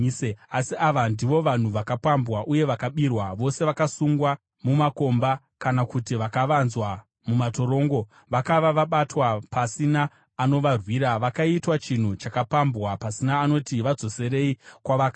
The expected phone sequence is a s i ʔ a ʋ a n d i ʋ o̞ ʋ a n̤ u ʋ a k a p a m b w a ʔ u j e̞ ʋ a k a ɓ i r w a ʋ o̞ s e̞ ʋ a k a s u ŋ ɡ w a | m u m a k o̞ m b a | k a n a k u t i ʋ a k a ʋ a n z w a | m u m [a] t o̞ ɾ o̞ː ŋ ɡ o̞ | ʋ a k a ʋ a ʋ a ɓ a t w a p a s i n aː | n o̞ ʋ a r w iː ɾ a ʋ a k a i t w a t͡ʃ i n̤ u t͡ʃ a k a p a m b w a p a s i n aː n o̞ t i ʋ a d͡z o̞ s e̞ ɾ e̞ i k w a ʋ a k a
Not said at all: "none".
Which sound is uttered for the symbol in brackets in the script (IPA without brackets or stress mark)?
a